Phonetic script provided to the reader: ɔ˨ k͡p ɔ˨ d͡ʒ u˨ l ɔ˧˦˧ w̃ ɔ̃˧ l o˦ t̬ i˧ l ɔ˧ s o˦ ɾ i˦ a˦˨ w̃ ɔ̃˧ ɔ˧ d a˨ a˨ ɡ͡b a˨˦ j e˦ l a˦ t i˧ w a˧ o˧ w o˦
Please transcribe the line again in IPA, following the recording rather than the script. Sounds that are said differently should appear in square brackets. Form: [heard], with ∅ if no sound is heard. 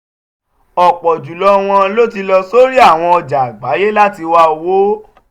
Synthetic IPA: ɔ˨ k͡p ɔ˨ d͡ʒ u˨ l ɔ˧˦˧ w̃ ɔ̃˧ l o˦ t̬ i˧ l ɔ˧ s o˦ ɾ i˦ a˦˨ w̃ ɔ̃˧ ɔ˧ [d͡ʒ] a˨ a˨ ɡ͡b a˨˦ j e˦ l a˦ t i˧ w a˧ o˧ w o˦